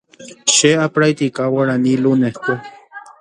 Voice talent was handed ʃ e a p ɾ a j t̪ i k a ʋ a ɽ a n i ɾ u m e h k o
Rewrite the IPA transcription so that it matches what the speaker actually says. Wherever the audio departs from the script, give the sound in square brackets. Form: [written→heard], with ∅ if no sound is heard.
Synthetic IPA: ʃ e a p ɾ a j t̪ i k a [ʋ→w] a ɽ a n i [ɾ→l] u [m→n] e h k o

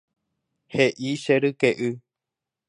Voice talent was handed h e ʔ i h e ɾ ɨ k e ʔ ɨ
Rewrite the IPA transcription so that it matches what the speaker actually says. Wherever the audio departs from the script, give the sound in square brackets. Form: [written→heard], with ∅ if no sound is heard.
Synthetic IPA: h e ʔ i [h→ʃ] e ɾ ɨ k e ʔ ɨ

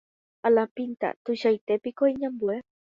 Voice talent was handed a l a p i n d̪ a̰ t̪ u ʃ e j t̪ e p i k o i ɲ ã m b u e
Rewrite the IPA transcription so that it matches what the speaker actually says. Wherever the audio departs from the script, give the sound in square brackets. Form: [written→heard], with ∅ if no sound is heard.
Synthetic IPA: a l a p i n [d̪→t̪] a̰ t̪ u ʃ [e→a] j t̪ e p i k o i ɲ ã m b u e

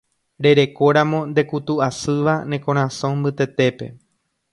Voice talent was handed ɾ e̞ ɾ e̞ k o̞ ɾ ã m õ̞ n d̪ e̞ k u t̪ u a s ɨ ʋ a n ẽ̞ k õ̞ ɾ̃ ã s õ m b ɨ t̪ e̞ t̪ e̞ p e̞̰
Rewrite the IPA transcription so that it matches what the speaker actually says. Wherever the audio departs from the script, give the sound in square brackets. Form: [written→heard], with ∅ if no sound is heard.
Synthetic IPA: ɾ e̞ ɾ e̞ k o̞ ɾ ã m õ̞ n d̪ e̞ k u t̪ u a s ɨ ʋ a n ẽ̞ k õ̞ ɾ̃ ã s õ m b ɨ t̪ e̞ t̪ e̞ p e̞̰

